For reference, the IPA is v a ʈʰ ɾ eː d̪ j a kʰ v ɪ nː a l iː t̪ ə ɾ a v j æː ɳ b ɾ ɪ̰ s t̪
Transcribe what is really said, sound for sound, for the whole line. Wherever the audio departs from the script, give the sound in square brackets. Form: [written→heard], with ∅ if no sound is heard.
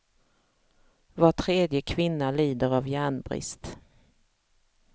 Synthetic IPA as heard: v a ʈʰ ɾ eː d̪ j [a→ə] kʰ v ɪ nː a l iː [t̪→d̪] ə ɾ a v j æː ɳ b ɾ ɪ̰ s t̪